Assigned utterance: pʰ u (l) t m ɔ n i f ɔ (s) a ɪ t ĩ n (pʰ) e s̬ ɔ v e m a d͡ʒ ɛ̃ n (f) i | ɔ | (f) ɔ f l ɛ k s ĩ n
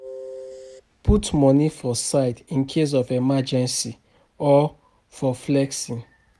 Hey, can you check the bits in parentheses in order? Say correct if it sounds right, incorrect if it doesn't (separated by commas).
incorrect, correct, incorrect, incorrect, correct